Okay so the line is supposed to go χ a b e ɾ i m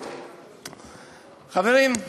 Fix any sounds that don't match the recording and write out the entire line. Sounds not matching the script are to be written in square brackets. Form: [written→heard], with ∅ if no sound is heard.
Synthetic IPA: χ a [b→v] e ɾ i m